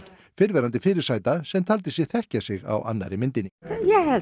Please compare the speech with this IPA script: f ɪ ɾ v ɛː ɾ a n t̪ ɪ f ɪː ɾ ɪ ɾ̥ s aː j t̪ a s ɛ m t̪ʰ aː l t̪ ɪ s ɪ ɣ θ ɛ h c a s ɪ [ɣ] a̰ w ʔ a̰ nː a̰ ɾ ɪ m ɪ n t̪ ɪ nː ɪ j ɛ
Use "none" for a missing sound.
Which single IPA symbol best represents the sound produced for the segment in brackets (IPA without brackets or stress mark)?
ɣ